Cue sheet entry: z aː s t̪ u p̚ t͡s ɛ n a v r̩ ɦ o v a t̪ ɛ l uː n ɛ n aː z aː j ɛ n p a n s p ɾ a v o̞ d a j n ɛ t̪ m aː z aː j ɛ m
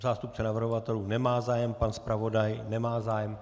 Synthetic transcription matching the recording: z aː s t̪ u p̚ t͡s ɛ n a v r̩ ɦ o v a t̪ ɛ l uː n ɛ m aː z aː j ɛ m p a n s p ɾ a v o̞ d a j n ɛ m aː z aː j ɛ m